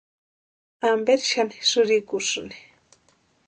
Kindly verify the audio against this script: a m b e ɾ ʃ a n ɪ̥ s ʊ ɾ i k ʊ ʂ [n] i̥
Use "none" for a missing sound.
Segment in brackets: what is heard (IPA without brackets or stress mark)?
n